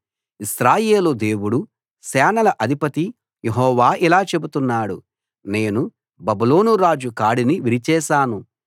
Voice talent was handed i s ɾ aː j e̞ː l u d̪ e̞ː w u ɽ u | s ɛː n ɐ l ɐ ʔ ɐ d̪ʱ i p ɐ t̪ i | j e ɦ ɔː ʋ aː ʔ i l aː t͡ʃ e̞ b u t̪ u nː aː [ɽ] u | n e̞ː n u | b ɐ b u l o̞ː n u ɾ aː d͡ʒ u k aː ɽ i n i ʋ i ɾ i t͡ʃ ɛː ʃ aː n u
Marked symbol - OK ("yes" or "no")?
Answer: yes